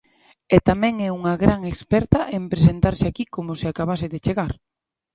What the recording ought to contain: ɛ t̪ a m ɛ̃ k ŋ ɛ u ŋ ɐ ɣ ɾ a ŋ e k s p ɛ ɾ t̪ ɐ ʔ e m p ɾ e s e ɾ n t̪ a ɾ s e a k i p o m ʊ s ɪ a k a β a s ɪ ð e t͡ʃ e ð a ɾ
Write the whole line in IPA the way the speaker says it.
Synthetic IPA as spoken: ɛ t̪ a m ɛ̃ ŋ ɛ u ŋ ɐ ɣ ɾ a ŋ e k s p ɛ ɾ t̪ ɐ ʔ e m p ɾ e s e n t̪ a ɾ s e a k i k o m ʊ s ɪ a k a β a s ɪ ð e t͡ʃ e ɣ a ɾ